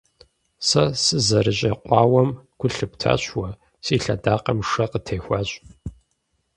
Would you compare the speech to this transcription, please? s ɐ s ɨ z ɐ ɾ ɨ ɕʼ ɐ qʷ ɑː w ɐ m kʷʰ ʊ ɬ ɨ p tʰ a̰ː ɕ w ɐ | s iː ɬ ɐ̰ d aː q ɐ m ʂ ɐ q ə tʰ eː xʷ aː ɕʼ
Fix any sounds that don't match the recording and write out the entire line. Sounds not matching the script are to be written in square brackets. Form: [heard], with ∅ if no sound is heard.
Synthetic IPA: s ɐ s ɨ z ɐ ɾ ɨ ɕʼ ɐ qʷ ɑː w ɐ m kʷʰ ʊ ɬ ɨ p tʰ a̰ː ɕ w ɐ | s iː ɬ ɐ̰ d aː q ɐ m ʂ ɐ q ə tʰ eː xʷ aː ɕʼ

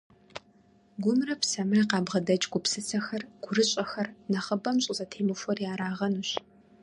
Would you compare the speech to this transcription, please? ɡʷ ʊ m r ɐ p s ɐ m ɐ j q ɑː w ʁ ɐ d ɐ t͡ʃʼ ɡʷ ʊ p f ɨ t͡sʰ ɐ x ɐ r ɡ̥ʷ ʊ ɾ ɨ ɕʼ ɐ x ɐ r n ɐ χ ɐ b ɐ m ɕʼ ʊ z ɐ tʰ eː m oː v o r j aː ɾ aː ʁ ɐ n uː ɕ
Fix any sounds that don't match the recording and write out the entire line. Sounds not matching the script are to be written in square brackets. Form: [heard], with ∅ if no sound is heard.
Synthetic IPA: ɡʷ ʊ m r ɐ p s ɐ m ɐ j q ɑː [b] ʁ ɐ d ɐ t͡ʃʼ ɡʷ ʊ p [s] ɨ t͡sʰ ɐ x ɐ r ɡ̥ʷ ʊ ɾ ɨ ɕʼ ɐ x ɐ r n ɐ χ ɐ b ɐ m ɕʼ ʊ z ɐ tʰ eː m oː [f] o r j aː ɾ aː ʁ ɐ n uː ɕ

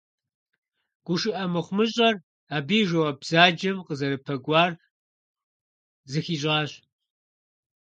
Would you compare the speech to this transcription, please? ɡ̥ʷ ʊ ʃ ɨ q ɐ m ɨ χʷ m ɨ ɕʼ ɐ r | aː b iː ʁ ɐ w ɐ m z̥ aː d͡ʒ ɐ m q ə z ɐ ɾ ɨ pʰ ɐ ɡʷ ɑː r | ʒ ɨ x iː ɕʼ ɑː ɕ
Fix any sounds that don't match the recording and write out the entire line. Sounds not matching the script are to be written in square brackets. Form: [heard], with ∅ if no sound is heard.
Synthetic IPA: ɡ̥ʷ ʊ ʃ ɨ [ʔ] ɐ m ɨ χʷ m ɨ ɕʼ ɐ r | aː b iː [ʒ] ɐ w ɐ [b] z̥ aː d͡ʒ ɐ m q ə z ɐ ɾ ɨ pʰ ɐ ɡʷ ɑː r | [z] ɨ x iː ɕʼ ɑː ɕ

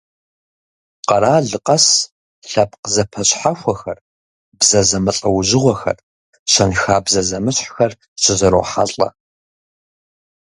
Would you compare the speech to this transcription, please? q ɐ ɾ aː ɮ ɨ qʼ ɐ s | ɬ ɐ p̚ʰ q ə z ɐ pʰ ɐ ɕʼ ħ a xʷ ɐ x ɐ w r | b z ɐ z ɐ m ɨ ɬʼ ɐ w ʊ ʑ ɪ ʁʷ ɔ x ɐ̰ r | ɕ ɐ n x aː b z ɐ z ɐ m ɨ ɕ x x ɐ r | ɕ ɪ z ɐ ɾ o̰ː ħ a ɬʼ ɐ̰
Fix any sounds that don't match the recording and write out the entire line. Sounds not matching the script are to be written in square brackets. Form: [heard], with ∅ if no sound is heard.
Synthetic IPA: q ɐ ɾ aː ɮ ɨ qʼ ɐ s | ɬ ɐ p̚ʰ q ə z ɐ pʰ ɐ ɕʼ ħ a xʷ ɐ x ɐ [∅] r | b z ɐ z ɐ m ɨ ɬʼ ɐ w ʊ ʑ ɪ ʁʷ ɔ x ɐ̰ r | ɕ ɐ n x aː b z ɐ z ɐ m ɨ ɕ [ħ] x ɐ r | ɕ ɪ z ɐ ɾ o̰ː ħ a ɬʼ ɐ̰

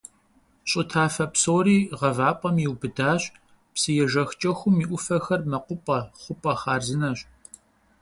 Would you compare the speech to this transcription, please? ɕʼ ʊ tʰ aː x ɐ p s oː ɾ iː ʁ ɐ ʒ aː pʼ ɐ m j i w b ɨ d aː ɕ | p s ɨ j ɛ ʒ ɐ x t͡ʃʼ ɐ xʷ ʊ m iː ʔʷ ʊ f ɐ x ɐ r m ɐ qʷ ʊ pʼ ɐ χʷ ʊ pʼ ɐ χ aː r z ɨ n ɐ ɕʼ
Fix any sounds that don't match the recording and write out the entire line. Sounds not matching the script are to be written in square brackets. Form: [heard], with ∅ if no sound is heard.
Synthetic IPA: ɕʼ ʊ tʰ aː [f] ɐ p s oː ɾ iː ʁ ɐ [v] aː pʼ ɐ m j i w b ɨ d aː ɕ | p s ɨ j ɛ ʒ ɐ x t͡ʃʼ ɐ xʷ ʊ m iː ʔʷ ʊ f ɐ x ɐ r m ɐ qʷ ʊ pʼ ɐ χʷ ʊ pʼ ɐ χ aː r z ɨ n ɐ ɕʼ

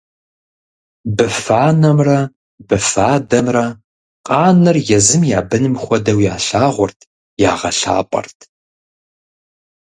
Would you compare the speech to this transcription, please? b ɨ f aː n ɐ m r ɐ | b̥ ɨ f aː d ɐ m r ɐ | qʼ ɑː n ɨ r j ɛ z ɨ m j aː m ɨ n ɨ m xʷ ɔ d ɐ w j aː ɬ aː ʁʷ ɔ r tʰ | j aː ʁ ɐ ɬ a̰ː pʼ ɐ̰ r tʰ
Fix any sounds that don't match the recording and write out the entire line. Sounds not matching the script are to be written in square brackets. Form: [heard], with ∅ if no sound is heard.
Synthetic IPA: b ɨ f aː n ɐ m r ɐ | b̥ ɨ f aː d ɐ m r ɐ | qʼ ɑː n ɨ r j ɛ z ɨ m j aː [b] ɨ n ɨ m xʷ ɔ d ɐ w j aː ɬ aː ʁʷ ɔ r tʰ | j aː ʁ ɐ ɬ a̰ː pʼ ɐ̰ r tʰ

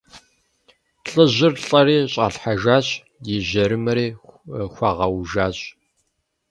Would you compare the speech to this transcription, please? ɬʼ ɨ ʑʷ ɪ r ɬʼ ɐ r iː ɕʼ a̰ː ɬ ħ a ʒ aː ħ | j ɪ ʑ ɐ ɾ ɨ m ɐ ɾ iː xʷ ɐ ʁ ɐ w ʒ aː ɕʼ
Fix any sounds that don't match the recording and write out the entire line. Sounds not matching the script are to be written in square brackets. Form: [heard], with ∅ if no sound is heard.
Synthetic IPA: ɬʼ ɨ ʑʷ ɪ r ɬʼ ɐ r iː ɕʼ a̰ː ɬ ħ a ʒ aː [ɕ] | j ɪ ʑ ɐ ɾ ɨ m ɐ ɾ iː xʷ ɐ ʁ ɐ w ʒ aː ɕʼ

